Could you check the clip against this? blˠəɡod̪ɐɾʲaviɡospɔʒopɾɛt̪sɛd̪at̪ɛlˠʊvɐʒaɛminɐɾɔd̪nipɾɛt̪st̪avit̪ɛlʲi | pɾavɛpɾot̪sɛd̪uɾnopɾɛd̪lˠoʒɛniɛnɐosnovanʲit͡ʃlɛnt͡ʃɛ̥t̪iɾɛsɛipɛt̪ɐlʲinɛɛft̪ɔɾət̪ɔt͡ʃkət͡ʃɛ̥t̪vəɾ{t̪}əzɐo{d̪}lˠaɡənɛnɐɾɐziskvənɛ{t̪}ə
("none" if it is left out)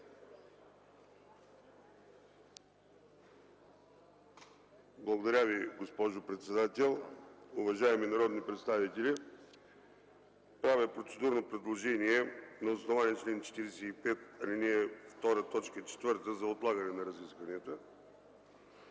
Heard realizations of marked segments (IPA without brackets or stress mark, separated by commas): t̪, t̪, t̪